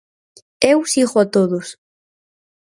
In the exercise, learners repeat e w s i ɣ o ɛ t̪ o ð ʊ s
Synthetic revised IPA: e w s i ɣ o a t̪ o ð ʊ s